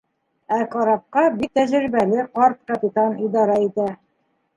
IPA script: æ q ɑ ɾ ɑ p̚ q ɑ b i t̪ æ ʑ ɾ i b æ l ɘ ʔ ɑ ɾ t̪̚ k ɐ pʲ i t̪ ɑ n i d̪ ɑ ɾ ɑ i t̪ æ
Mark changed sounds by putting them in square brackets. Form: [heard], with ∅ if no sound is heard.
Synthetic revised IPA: æ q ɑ ɾ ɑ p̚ q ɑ b i t̪ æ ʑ ɾ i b æ l ɘ [q] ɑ ɾ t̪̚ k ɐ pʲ i t̪ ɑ n i d̪ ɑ ɾ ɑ i t̪ æ